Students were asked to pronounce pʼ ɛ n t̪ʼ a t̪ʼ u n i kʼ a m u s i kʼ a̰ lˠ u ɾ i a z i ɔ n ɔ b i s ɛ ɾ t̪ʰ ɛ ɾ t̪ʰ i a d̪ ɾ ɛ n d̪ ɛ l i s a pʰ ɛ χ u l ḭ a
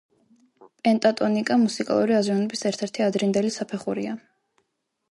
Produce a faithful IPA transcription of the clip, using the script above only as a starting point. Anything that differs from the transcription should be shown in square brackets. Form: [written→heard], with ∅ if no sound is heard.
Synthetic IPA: pʼ ɛ n t̪ʼ a t̪ʼ [u→ɔ] n i kʼ a m u s i kʼ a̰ lˠ u ɾ i a z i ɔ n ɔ b i s ɛ ɾ t̪ʰ ɛ ɾ t̪ʰ i a d̪ ɾ [ɛ→i] n d̪ ɛ l i s a pʰ ɛ χ u [l→ɾ] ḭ a

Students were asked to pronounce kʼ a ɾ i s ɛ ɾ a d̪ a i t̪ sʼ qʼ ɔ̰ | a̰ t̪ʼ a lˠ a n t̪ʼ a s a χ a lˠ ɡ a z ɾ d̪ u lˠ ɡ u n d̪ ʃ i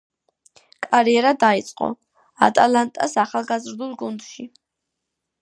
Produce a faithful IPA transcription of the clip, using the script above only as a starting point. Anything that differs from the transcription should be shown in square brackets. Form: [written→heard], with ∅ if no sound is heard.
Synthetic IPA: kʼ a ɾ i [s→∅] ɛ ɾ a d̪ a i t̪ sʼ qʼ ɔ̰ | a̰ t̪ʼ a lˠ a n t̪ʼ a s a χ a lˠ ɡ a z ɾ d̪ u lˠ ɡ u n d̪ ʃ i

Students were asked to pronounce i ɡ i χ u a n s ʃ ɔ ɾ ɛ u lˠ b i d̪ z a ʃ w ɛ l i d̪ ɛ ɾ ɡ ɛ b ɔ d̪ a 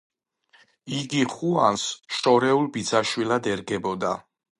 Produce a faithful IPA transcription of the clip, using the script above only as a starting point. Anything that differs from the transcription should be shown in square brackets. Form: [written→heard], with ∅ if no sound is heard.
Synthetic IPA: i ɡ i χ u a n s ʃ ɔ ɾ ɛ u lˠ b i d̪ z a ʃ w [ɛ→i] l [i→a] d̪ ɛ ɾ ɡ ɛ b ɔ d̪ a

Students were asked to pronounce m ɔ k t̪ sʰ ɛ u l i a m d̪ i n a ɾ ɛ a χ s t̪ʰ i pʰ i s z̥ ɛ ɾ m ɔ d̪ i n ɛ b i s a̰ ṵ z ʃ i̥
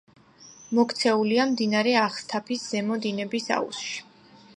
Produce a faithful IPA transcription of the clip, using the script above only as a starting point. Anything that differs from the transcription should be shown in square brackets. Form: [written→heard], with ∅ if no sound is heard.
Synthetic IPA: m ɔ k t̪ sʰ ɛ u l i a m d̪ i n a ɾ ɛ a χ s t̪ʰ [i→a] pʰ i s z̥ ɛ [ɾ→∅] m ɔ d̪ i n ɛ b i s a̰ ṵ [z→s] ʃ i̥

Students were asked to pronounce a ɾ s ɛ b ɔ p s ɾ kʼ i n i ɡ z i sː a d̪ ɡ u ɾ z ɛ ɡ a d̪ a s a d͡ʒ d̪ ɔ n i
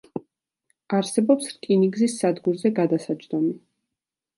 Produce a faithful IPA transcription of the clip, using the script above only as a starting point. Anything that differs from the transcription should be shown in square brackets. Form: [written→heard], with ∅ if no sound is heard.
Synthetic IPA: a ɾ s ɛ b ɔ p s ɾ kʼ i n i ɡ z i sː a d̪ ɡ u ɾ z ɛ ɡ a d̪ a s a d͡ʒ d̪ ɔ [n→m] i

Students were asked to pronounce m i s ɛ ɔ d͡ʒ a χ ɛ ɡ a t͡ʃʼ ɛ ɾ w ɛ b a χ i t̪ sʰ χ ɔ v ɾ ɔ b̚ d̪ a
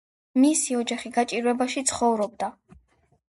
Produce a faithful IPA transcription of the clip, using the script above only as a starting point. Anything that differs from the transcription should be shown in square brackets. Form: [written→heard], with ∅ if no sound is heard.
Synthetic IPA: m i s [ɛ→i] ɔ d͡ʒ a χ [ɛ→i] ɡ a t͡ʃʼ [ɛ→i] ɾ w ɛ b a [χ→ʃ] i t̪ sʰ χ ɔ v ɾ ɔ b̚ d̪ a

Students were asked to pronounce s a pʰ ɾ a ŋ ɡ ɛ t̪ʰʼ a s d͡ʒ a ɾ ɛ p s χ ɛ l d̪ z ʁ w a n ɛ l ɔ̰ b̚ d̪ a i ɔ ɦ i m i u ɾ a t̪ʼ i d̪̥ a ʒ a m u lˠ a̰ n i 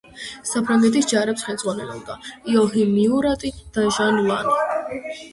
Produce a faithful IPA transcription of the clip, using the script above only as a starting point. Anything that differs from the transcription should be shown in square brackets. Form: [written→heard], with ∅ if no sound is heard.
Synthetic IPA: s a pʰ ɾ a ŋ ɡ ɛ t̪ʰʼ [a→i] s d͡ʒ a ɾ ɛ p s χ ɛ l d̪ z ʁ w a n ɛ l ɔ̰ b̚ d̪ a i ɔ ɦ i m i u ɾ a t̪ʼ i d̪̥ a ʒ a [m→n] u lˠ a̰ n i

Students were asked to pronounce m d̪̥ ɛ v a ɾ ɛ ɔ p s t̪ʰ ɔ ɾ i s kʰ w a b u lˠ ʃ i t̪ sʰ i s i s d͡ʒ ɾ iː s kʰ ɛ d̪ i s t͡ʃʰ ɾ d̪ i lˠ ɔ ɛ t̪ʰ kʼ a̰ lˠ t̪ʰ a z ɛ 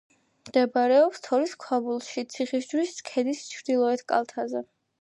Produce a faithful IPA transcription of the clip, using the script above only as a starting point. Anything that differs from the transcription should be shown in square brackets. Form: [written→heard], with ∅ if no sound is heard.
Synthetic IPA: m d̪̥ ɛ [v→b] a ɾ ɛ ɔ p s t̪ʰ ɔ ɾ i s kʰ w a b u lˠ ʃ i t̪ sʰ i [s→χ] i s d͡ʒ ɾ [iː→i] s kʰ ɛ d̪ i s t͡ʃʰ ɾ d̪ i lˠ ɔ ɛ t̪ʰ kʼ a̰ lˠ t̪ʰ a z ɛ

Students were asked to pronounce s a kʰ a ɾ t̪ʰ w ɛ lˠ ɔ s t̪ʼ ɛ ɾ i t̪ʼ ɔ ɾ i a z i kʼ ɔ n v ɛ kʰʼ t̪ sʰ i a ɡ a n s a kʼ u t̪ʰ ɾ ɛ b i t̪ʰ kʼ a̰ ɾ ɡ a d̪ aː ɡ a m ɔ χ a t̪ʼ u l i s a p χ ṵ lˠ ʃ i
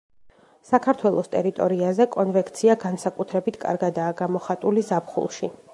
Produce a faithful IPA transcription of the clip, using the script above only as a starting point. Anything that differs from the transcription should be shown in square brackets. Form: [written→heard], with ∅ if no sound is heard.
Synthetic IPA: s a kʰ a ɾ t̪ʰ w ɛ lˠ ɔ s t̪ʼ ɛ ɾ i t̪ʼ ɔ ɾ i a z [i→ɛ] kʼ ɔ n v ɛ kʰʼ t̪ sʰ i a ɡ a n s a kʼ u t̪ʰ ɾ ɛ b i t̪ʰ kʼ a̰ ɾ ɡ a d̪ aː ɡ a m ɔ χ a t̪ʼ u l i [s→z] a p χ ṵ lˠ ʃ i

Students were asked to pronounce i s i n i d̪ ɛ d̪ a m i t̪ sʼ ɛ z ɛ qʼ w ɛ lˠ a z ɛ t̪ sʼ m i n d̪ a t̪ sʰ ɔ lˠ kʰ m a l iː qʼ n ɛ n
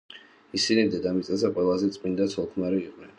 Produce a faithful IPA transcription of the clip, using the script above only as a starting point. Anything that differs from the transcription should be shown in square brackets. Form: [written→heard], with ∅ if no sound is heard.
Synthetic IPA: i s i n i d̪ ɛ d̪ a m i t̪ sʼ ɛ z ɛ qʼ w ɛ lˠ a z ɛ t̪ sʼ m i n d̪ a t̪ sʰ ɔ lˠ kʰ m a [l→ɾ] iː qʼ n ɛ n

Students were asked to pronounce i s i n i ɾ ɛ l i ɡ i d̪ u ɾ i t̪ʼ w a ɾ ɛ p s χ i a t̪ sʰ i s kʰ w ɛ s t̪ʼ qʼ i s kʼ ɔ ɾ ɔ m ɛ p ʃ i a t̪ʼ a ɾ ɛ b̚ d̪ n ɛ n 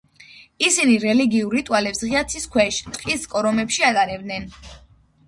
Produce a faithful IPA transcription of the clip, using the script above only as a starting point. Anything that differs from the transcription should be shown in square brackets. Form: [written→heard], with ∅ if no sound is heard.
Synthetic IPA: i s i n i ɾ ɛ l i ɡ i [d̪→∅] u ɾ i t̪ʼ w a [ɾ→l] ɛ p s [χ→ʁ] i a t̪ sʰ i s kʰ w ɛ [s→ʃ] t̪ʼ qʼ i s kʼ ɔ ɾ ɔ m ɛ p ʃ i a t̪ʼ a ɾ ɛ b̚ d̪ n ɛ n

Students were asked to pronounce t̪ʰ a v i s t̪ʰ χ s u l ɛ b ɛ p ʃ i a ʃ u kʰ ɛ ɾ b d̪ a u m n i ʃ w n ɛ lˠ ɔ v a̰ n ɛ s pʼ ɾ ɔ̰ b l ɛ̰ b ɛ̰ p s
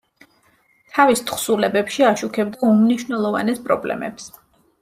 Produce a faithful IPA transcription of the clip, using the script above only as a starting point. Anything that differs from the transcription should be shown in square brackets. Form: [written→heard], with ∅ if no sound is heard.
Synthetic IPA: t̪ʰ a v i s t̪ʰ χ s u l ɛ b ɛ p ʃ i a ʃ u kʰ ɛ [ɾ→∅] b d̪ a u m n i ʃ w n ɛ lˠ ɔ v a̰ n ɛ s pʼ ɾ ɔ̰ b l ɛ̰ [b→m] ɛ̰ p s

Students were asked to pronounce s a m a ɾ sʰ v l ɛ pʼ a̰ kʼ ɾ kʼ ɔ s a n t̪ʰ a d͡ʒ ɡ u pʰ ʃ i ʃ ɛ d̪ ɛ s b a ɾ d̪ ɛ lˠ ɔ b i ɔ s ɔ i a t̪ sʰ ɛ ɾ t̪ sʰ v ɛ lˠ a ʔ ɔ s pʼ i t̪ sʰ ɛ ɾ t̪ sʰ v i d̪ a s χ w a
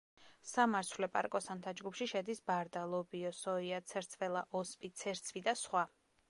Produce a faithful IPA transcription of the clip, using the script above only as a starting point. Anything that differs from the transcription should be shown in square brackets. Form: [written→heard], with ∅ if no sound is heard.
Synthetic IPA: s a m a ɾ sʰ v l ɛ pʼ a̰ [kʼ→∅] ɾ kʼ ɔ s a n t̪ʰ a d͡ʒ ɡ u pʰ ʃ i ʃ ɛ d̪ [ɛ→i] s b a ɾ d̪ [ɛ→a] lˠ ɔ b i ɔ s ɔ i a t̪ sʰ ɛ ɾ t̪ sʰ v ɛ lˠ a ʔ ɔ s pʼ i t̪ sʰ ɛ ɾ t̪ sʰ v i d̪ a s χ w a

